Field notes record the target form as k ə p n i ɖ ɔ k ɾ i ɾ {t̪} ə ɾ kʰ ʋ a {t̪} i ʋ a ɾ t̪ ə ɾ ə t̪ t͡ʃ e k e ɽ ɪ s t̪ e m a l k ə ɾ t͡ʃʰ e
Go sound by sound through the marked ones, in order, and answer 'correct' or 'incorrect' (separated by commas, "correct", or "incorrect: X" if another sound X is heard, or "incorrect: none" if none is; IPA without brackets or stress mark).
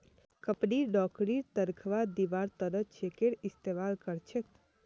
correct, incorrect: d̪